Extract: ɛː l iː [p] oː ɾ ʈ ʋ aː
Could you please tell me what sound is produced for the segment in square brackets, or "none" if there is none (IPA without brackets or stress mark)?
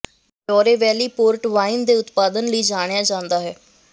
p